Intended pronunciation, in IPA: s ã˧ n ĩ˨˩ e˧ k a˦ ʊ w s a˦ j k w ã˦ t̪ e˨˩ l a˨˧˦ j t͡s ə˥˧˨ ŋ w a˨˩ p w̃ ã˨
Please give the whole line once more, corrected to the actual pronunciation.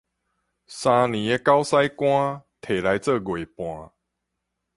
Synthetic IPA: s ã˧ n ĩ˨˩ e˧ k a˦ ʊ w s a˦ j k w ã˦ t̪ʰ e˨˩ l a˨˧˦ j t͡s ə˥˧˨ ɡ w e˨˩ p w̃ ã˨